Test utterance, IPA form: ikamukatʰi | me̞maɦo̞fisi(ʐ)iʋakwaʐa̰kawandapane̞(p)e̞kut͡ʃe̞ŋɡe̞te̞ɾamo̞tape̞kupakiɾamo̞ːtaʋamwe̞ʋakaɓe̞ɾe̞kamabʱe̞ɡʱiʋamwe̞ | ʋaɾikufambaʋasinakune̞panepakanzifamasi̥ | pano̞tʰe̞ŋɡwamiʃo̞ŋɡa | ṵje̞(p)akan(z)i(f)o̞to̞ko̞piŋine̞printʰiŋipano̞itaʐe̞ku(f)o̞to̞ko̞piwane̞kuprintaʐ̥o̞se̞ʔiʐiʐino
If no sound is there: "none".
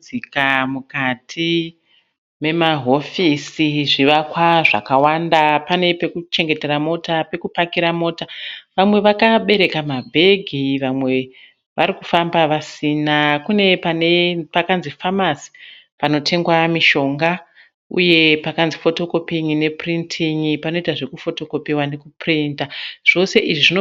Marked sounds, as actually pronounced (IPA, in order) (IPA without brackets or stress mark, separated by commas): ʐ, p, p, z, f, f